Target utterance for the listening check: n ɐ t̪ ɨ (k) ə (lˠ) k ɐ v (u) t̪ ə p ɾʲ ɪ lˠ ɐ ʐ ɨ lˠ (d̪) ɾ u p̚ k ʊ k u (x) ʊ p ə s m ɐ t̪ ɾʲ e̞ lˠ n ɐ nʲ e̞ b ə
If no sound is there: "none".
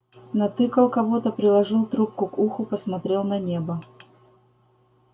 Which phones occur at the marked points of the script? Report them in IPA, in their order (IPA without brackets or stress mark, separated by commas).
k, lˠ, o, t̪, x